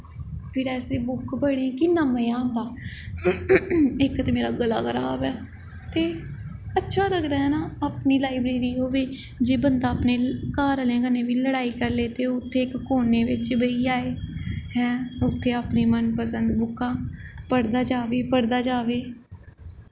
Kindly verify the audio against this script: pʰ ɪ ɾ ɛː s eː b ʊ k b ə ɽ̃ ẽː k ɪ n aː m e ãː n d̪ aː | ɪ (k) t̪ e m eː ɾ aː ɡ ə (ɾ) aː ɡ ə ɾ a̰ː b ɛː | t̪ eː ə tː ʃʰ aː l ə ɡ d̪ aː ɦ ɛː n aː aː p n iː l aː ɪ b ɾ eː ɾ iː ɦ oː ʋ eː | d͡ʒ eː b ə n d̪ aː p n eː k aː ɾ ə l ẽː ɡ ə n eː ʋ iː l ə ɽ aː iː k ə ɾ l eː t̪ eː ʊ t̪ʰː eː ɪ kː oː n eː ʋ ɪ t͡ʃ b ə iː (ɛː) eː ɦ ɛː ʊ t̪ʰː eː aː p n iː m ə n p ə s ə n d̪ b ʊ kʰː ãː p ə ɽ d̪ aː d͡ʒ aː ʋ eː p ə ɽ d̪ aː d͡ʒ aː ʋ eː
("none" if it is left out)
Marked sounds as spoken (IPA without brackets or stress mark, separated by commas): k, l, aː